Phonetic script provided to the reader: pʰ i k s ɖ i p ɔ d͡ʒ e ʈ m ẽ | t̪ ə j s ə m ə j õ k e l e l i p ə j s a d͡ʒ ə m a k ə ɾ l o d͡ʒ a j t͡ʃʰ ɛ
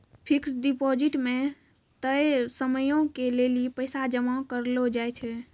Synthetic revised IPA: pʰ i k s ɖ i p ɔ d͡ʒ i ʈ m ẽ | t̪ ə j s ə m ə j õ k e l e l i p ə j s a d͡ʒ ə m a k ə ɾ l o d͡ʒ a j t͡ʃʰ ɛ